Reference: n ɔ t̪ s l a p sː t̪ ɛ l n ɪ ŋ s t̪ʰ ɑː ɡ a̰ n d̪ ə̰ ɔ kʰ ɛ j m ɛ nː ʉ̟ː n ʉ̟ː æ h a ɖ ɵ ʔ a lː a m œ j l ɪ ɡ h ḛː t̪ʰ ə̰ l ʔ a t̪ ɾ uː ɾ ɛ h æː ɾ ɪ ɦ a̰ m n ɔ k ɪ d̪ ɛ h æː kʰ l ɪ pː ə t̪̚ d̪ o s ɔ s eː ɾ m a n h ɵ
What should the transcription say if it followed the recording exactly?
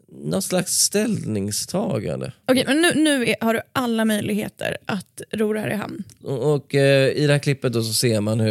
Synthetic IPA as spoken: n ɔ t̪ s l a k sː t̪ ɛ l n ɪ ŋ s t̪ʰ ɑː ɡ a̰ n d̪ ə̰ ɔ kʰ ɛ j m ɛ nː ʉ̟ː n ʉ̟ː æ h a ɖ ɵ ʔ a lː a m œ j l ɪ ɡ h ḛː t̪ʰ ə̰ ɾ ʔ a t̪ ɾ uː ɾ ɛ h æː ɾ ɪ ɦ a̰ m n ɔ k ɪ d̪ ɛ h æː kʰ l ɪ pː ə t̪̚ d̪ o s ɔ s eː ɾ m a n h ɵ